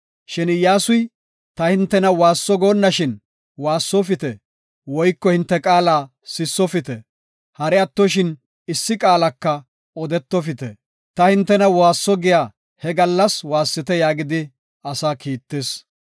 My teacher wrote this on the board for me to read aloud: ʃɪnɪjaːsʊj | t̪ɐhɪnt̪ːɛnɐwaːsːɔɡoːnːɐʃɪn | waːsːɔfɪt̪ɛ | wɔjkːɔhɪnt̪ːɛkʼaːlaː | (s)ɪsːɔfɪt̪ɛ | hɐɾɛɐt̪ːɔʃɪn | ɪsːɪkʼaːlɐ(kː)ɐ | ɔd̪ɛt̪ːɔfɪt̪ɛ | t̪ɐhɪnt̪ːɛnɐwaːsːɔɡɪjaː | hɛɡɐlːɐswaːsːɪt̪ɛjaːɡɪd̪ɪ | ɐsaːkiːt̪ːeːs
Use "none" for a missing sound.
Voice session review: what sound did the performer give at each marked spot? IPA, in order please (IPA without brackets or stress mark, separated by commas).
s, kː